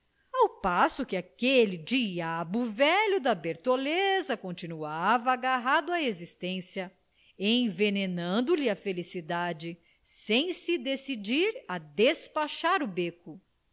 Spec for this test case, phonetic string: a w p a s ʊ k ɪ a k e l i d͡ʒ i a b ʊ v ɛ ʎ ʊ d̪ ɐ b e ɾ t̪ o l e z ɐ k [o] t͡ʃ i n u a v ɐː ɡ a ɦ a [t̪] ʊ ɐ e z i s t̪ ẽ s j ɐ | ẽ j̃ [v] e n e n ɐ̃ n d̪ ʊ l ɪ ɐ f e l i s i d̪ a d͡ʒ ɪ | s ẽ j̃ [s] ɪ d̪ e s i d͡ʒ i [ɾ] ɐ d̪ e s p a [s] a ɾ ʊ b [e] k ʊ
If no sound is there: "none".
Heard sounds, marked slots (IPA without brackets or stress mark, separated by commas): õ, d̪, v, s, ɾ, ʃ, e